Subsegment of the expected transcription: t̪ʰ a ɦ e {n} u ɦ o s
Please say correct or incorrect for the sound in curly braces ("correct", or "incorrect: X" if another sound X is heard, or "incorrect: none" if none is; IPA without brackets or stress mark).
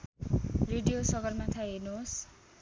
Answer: correct